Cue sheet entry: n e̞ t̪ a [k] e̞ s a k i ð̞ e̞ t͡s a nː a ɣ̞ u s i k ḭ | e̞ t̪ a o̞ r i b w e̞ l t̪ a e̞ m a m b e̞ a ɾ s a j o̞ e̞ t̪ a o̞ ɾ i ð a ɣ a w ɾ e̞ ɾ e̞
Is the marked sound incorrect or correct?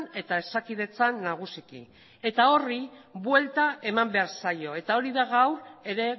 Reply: incorrect